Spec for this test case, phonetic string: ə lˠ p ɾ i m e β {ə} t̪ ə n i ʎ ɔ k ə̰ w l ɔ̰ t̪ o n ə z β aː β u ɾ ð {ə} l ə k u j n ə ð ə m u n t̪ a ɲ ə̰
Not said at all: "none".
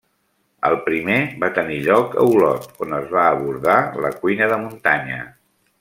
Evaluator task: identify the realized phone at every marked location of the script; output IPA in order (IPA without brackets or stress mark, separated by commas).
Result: a, a